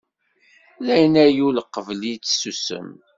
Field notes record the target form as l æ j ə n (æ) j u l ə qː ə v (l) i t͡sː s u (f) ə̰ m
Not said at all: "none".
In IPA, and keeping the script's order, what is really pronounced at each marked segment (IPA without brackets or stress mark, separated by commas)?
æ, l, s